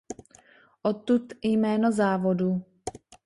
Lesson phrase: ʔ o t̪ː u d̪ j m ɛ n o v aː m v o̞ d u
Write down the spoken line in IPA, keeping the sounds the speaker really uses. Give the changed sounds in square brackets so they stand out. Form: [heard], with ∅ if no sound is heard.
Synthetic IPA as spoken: ʔ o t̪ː u [t̪] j m [ɛː] n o [z] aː [∅] v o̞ d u

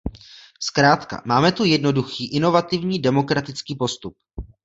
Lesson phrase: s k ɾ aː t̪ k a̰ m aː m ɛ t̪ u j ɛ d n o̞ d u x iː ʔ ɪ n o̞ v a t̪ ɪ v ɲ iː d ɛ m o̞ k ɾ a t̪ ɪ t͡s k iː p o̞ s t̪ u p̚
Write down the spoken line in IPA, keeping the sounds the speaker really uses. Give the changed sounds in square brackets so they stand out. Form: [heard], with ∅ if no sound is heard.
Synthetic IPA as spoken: s k ɾ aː t̪ k a̰ m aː m ɛ t̪ u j ɛ d n o̞ d u x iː ʔ ɪ n o̞ v a t̪ ɪ v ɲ iː d ɛ m o̞ k ɾ a t̪ ɪ t͡s k iː p o̞ s t̪ u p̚

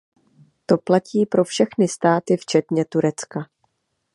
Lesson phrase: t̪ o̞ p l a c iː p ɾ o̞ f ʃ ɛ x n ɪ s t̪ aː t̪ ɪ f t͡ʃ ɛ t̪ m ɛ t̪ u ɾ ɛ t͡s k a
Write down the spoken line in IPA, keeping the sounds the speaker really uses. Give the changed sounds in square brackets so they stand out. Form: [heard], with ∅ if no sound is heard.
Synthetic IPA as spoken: t̪ o̞ p l a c iː p ɾ o̞ f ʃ ɛ x n ɪ s t̪ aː t̪ ɪ f t͡ʃ ɛ t̪ [ɲ] ɛ t̪ u ɾ ɛ t͡s k a

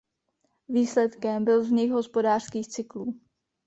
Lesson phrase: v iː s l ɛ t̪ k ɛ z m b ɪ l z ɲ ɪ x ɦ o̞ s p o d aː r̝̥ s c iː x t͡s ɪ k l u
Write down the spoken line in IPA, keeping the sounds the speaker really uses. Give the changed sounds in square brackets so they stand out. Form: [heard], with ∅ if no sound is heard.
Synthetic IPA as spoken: v iː s l ɛ t̪ k ɛ [∅] m b ɪ l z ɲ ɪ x ɦ o̞ s p o d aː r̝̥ s [k] iː x t͡s ɪ k l [uː]

